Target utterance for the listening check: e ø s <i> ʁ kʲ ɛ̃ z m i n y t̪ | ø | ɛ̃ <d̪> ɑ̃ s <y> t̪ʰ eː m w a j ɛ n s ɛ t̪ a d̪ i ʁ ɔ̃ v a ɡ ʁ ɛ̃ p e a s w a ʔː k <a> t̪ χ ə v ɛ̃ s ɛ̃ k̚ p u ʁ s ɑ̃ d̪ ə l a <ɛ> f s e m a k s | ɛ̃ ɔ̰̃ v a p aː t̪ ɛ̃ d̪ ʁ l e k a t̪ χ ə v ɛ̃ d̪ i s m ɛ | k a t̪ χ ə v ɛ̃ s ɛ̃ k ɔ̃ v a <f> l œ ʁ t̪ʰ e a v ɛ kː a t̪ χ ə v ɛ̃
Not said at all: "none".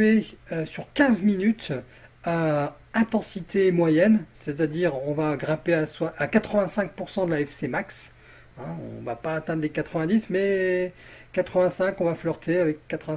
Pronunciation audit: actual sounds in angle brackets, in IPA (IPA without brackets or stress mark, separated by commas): y, t̪, i, a, ɛ, f